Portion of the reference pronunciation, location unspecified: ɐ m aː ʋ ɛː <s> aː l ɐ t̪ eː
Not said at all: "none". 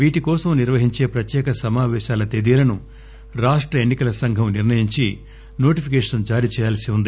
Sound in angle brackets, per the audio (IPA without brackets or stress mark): ʃ